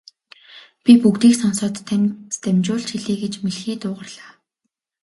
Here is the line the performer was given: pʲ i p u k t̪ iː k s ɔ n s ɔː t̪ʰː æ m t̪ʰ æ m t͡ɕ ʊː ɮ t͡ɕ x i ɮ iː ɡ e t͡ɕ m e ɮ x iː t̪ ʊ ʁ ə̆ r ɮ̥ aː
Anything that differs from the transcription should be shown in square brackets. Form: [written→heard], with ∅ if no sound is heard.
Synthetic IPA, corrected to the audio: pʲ i p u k t̪ iː k s ɔ n s ɔː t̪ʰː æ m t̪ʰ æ m t͡ɕ ʊː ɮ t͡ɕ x i ɮ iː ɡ e t͡ɕ m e ɮ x iː t̪ [ʊ→ʊː] ʁ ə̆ r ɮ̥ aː